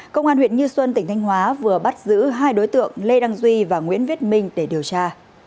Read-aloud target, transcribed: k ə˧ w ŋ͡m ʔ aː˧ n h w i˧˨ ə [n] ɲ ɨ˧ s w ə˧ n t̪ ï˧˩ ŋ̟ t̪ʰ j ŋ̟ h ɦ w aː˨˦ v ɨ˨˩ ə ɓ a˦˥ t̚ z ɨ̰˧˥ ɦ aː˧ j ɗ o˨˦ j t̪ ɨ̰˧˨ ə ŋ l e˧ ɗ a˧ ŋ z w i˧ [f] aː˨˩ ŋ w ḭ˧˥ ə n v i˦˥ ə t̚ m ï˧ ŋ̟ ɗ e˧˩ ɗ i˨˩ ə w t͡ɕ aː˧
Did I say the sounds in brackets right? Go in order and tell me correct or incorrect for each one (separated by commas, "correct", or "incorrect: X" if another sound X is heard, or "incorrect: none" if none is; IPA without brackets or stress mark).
correct, incorrect: v